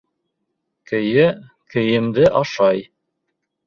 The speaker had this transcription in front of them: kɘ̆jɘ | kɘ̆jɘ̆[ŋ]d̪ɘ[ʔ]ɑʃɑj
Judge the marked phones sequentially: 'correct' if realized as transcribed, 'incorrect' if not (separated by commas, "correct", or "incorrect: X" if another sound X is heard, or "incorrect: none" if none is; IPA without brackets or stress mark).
incorrect: m, correct